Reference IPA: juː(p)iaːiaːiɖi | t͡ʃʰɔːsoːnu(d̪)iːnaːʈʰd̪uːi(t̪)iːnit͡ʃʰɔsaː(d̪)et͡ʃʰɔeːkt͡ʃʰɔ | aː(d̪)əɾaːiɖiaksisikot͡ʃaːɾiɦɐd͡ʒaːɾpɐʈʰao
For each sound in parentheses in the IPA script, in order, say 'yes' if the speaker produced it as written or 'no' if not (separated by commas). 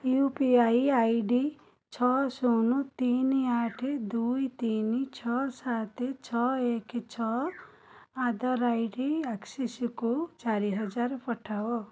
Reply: yes, no, yes, no, yes